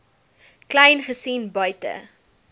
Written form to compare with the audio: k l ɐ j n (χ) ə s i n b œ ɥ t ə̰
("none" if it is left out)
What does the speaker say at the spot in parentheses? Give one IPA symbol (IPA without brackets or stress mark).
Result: χ